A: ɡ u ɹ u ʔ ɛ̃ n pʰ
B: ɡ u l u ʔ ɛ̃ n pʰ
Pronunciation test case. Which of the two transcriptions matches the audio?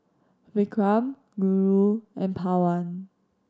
A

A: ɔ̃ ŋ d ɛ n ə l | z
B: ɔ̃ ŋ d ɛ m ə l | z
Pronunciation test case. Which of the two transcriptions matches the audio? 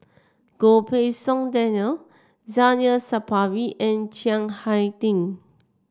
A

